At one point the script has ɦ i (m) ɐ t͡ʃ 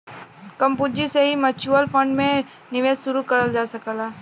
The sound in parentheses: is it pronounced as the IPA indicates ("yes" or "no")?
yes